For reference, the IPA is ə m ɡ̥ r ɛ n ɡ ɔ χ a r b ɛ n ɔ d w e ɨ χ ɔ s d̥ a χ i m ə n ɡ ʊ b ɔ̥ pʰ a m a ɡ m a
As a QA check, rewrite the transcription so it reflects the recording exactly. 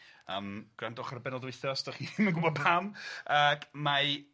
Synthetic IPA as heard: ə m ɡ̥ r a n d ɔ χ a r b ɛ n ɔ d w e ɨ θ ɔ s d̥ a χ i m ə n ɡ ʊ b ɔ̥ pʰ a m a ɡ m a